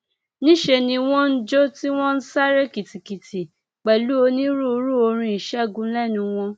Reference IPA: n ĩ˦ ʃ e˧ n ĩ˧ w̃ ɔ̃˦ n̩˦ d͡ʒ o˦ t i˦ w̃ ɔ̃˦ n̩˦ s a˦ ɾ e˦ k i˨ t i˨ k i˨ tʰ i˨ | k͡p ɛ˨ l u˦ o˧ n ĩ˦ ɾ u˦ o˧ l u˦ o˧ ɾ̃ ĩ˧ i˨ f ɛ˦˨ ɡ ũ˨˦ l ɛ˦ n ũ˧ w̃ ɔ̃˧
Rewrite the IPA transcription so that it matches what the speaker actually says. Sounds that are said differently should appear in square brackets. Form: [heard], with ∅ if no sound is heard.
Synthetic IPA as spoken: n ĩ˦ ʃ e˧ n ĩ˧ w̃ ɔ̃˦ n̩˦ d͡ʒ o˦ t i˦ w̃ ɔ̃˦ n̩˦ s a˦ ɾ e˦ k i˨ t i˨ k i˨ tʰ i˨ | k͡p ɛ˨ l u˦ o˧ n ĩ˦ ɾ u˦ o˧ [ɾ] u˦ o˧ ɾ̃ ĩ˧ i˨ [ʃ] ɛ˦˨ ɡ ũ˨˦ l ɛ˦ n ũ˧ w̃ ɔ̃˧